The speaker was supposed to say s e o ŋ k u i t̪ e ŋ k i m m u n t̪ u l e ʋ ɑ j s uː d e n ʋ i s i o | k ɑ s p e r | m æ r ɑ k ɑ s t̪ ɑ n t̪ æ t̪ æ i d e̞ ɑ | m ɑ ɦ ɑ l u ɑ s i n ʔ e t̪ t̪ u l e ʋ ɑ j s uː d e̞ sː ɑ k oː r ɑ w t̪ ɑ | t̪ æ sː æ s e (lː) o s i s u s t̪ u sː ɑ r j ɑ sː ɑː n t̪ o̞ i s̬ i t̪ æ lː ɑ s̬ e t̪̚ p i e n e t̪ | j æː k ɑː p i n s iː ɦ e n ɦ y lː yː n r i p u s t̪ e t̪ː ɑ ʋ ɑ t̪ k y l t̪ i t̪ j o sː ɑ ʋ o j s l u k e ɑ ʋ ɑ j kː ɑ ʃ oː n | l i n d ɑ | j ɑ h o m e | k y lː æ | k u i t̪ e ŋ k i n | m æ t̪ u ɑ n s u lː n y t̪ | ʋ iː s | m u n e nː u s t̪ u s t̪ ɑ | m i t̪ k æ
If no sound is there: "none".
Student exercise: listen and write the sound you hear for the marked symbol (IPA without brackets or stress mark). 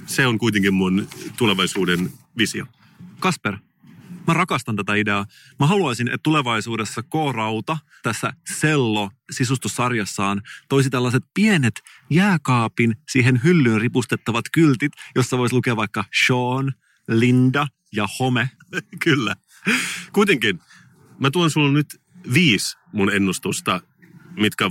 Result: lː